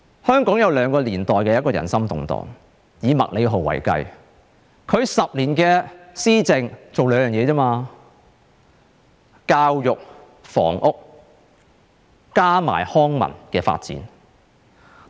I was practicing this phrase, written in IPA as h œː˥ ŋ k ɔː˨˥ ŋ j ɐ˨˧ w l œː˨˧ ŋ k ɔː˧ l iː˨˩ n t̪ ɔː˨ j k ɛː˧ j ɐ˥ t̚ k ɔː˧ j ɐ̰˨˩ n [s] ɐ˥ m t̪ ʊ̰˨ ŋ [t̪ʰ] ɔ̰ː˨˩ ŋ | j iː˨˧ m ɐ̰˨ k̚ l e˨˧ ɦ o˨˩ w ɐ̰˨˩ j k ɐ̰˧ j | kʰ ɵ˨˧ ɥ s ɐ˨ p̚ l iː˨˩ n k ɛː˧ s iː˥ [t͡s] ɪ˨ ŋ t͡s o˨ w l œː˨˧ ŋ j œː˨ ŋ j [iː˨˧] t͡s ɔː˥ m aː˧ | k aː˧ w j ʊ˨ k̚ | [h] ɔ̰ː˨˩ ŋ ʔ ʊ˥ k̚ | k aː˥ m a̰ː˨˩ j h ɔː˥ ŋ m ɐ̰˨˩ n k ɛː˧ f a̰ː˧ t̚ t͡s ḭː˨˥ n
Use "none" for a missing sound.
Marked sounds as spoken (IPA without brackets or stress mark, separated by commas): s, t̪, t͡s, ɛː˨˧, f